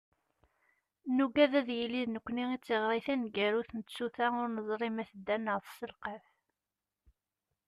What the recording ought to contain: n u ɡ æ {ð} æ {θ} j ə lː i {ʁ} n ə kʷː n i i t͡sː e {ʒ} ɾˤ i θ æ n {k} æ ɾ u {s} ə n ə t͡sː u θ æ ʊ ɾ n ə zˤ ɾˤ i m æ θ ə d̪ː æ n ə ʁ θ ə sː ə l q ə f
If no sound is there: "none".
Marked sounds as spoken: ð, ð, ð, ʁ, ɡ, θ

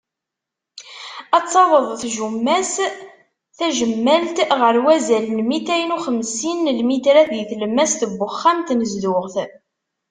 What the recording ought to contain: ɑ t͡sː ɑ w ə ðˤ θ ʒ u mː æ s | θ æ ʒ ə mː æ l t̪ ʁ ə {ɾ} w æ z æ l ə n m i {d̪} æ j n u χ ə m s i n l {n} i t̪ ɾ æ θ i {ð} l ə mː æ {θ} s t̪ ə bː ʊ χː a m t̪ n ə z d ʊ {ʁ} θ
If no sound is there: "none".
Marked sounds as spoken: ɾ, t̪, m, θ, none, ʁ

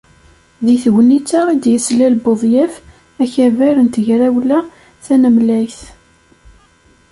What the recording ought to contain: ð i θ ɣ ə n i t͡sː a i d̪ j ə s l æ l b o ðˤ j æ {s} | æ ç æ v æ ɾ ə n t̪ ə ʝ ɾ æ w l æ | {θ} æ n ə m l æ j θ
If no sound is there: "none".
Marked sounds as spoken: f, θ

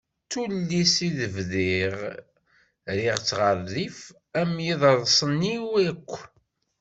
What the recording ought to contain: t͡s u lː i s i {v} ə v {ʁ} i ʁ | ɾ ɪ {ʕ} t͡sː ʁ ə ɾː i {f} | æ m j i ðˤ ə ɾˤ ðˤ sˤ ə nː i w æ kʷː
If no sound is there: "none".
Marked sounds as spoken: ð, ð, ʁ, f

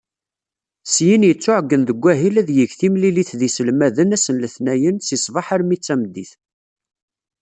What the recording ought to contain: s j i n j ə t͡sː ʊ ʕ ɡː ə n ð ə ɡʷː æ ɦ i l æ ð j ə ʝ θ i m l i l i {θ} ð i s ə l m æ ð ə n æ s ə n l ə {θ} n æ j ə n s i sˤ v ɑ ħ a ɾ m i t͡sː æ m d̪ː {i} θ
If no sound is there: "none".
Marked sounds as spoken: θ, θ, i

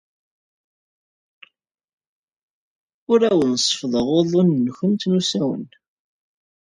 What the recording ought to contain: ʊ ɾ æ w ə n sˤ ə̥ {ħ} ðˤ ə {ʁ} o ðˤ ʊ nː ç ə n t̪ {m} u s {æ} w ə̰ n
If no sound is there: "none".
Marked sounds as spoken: f, ʁ, n, æ

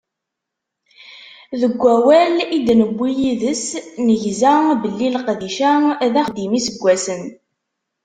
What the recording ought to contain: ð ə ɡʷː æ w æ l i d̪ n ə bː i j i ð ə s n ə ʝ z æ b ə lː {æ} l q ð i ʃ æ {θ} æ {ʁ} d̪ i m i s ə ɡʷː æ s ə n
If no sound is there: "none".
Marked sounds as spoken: i, ð, χ

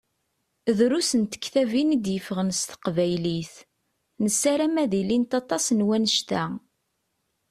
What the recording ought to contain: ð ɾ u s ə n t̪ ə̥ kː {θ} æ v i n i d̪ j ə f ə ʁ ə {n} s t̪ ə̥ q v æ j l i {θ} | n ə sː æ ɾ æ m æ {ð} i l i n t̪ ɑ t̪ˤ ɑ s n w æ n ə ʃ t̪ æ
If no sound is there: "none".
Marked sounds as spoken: θ, n, θ, ð

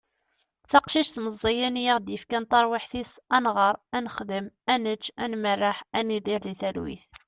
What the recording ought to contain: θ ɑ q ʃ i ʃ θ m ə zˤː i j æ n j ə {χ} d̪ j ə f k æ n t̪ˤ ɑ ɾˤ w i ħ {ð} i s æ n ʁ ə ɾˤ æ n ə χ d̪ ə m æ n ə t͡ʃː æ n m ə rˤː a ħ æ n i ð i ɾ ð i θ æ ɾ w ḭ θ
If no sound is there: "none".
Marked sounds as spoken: ʁ, θ

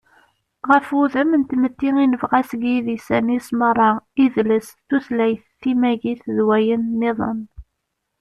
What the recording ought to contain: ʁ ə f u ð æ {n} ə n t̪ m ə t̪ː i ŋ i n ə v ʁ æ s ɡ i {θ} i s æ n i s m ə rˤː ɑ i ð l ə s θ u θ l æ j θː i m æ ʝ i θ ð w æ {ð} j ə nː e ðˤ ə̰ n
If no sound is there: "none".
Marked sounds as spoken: m, ð, none

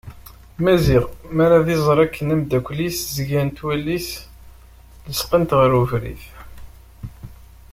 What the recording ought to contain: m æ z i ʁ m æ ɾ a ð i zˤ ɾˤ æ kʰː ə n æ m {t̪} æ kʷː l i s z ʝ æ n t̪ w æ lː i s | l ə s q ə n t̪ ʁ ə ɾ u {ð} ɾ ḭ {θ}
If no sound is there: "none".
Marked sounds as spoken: d̪, v, θ

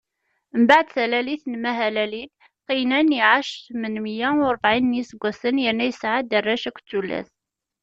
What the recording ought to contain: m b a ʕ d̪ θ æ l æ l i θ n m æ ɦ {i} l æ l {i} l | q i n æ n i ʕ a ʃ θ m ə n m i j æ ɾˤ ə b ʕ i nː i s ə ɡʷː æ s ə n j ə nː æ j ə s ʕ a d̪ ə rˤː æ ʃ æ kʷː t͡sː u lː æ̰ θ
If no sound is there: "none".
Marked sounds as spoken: æ, i

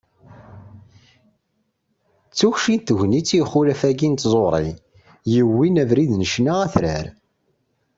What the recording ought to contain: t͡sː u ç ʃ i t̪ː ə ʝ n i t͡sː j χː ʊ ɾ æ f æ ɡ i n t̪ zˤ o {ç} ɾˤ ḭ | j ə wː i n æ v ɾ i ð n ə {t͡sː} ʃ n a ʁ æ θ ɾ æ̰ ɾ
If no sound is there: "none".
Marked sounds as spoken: none, none

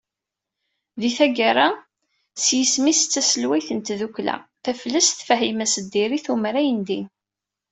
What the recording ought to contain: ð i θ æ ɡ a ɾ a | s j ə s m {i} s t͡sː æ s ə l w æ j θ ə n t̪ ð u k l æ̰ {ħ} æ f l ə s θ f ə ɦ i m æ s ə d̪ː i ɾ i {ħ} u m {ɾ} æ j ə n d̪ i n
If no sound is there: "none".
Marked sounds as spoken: i, θ, θ, ɾ

